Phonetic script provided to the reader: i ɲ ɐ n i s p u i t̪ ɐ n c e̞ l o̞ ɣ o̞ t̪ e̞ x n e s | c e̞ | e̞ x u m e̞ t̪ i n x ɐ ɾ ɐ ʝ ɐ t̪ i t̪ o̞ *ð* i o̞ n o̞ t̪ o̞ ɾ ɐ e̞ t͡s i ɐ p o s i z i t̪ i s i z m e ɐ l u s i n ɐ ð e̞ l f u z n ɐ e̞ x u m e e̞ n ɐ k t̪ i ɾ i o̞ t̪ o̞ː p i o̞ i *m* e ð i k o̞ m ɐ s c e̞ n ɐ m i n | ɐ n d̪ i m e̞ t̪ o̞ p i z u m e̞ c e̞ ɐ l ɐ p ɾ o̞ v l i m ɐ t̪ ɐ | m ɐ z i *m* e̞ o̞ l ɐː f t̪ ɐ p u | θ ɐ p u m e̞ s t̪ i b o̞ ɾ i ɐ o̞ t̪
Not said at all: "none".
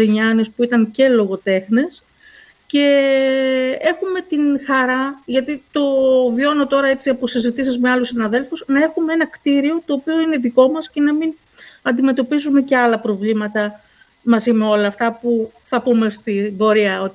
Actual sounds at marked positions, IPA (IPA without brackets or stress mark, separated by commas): v, n, m